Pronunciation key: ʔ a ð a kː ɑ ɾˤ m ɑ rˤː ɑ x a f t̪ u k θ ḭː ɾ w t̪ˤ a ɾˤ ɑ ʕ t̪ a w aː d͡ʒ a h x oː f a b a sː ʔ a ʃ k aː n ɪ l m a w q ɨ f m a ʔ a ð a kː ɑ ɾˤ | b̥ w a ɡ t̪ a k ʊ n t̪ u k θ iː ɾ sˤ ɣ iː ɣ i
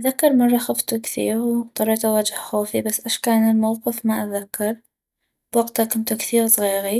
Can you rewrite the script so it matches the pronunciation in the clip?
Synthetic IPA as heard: ʔ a ð a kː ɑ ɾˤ m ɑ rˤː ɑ x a f t̪ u k θ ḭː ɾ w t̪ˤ ɑ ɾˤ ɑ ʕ t̪ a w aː d͡ʒ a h x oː f i b a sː ʔ a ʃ k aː n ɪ l m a w q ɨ f m a ʔ a ð a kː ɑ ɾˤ | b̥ w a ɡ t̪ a k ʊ n t̪ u k θ iː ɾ sˤ ɣ iː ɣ i